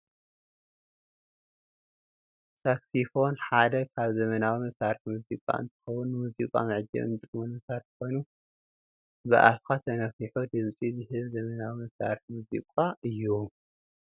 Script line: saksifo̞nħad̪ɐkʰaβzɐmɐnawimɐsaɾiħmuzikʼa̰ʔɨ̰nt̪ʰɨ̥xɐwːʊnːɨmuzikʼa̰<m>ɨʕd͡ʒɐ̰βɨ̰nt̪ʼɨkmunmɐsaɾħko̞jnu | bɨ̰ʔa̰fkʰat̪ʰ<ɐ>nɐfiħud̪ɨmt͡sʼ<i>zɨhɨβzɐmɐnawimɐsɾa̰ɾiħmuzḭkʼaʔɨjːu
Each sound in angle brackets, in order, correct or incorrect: correct, correct, correct

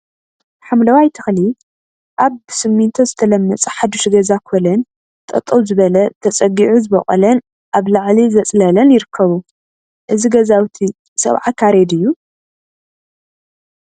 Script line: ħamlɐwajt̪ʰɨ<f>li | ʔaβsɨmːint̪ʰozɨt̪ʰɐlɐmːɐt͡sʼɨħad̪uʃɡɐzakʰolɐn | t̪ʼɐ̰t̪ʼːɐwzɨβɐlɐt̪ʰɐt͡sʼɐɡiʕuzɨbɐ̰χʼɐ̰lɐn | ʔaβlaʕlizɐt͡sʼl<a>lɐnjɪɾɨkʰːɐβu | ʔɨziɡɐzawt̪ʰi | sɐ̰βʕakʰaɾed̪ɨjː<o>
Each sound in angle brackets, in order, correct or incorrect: incorrect: x, incorrect: ɐ, incorrect: u

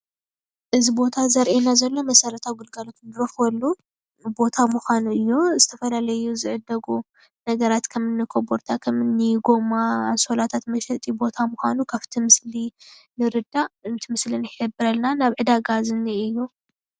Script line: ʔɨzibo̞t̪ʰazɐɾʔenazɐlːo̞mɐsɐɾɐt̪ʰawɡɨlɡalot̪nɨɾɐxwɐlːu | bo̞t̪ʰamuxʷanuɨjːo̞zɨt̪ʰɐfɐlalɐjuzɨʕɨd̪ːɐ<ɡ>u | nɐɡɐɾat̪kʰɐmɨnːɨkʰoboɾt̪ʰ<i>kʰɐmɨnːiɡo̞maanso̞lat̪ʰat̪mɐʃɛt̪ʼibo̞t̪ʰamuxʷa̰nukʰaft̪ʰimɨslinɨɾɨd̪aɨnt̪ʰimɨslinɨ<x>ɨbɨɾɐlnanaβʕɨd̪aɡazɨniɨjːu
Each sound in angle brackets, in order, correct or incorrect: correct, incorrect: a, incorrect: ħ

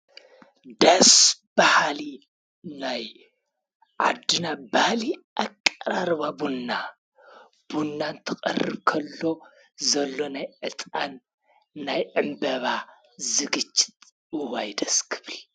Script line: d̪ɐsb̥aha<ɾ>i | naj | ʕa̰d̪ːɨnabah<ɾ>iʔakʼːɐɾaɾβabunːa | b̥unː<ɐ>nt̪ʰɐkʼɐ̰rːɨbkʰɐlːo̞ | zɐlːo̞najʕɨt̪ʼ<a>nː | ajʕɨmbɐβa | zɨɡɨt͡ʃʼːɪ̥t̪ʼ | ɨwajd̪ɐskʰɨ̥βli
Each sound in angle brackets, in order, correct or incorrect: incorrect: l, incorrect: l, incorrect: a, correct

